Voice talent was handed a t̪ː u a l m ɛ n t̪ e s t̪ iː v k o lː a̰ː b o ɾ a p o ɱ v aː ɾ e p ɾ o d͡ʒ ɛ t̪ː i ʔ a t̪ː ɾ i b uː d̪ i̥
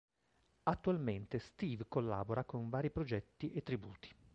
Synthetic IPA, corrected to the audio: a t̪ː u a l m e n t̪ e s t̪ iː v k o lː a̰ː b o ɾ a k o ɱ v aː ɾ i p ɾ o d͡ʒ ɛ t̪ː i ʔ e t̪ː ɾ i b uː t̪ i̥